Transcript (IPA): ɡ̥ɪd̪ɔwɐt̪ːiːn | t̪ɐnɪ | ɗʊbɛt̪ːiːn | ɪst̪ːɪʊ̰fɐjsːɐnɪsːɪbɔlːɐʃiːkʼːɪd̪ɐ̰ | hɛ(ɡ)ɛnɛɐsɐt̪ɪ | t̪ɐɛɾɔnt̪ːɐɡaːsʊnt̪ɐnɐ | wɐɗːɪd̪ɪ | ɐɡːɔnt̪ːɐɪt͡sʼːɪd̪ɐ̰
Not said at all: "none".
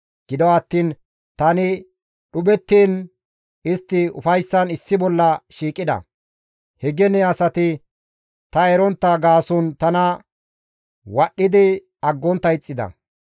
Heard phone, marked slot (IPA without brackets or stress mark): ɡ